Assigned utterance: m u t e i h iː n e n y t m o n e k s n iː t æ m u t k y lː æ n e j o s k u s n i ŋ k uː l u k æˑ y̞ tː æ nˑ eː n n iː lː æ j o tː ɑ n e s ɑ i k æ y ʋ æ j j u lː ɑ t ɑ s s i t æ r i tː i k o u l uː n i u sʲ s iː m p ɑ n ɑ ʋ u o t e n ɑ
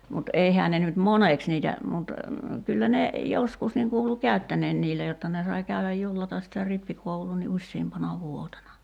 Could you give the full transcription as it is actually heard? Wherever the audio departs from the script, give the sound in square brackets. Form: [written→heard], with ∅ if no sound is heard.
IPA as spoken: m u t e i h [iː→æː] n e n y t m o n e k s n iː t æ m u t k y lː æ n e j o s k u s n i ŋ k uː l u k æˑ y̞ tː æ nˑ eː n n iː lː æ j o tː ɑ n e s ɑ i k æ y ʋ æ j j u lː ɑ t ɑ s s i t æ r i [tː→pː] i k o u l uː n i u sʲ s iː m p ɑ n ɑ ʋ u o t e n ɑ